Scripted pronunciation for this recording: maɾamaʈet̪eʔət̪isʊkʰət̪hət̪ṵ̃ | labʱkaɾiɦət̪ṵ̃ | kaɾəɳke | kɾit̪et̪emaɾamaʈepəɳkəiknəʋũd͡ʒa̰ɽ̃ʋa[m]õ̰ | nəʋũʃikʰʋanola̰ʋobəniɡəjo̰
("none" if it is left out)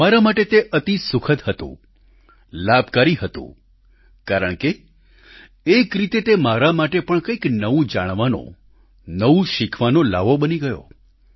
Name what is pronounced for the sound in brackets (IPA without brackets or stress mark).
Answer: n